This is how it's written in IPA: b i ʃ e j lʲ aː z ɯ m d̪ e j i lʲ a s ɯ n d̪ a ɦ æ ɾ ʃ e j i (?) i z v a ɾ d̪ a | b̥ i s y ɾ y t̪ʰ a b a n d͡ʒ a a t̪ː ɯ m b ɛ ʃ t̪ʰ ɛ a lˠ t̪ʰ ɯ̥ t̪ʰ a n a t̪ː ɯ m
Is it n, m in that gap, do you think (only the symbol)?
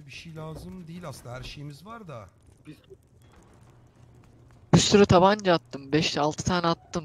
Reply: m